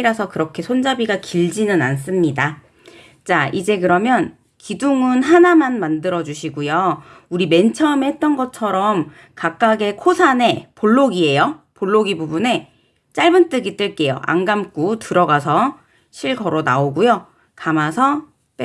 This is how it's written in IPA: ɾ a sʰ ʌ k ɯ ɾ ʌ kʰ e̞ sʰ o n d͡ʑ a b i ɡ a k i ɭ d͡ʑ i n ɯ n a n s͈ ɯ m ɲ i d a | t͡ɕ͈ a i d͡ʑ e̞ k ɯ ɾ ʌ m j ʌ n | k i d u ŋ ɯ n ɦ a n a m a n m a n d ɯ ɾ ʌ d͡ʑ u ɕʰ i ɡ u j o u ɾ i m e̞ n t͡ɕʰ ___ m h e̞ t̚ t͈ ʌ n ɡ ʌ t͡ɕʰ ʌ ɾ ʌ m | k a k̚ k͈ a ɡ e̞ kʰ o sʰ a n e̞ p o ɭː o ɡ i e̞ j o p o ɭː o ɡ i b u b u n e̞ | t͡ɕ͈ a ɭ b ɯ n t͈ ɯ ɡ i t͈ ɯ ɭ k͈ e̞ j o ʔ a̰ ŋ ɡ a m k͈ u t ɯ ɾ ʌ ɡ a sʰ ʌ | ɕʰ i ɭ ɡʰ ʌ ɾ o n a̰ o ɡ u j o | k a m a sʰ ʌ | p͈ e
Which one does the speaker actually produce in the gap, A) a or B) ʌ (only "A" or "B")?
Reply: B